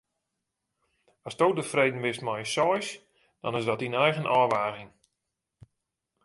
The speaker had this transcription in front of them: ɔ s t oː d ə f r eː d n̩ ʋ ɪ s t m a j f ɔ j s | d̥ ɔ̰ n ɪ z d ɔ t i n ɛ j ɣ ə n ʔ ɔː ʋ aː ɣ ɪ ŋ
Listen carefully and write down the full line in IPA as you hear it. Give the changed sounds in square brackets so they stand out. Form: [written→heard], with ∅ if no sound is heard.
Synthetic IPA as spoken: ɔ s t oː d ə f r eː d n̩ ʋ ɪ s t m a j [f→s] ɔ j s | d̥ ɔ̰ n ɪ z d ɔ t i n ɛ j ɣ ə n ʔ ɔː ʋ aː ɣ ɪ ŋ